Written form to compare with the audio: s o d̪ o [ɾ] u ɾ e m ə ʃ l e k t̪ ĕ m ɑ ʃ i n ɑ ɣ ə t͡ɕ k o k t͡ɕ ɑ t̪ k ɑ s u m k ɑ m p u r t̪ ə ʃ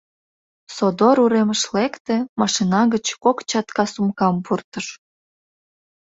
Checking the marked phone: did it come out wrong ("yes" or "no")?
no